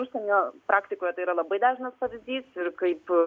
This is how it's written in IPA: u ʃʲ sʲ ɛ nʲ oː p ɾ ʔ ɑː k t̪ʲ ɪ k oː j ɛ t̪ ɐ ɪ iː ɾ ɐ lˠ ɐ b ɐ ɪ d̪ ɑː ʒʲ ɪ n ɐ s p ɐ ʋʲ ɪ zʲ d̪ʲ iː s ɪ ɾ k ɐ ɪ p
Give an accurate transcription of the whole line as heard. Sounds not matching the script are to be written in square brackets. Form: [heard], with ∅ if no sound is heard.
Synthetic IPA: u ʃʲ sʲ ɛ nʲ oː p ɾ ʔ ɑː k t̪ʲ ɪ k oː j ɛ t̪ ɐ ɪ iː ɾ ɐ lˠ ɐ b ɐ ɪ d̪ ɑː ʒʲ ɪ n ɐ s p ɐ ʋʲ ɪ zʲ d̪ʲ iː s ɪ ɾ k ɐ ɪ p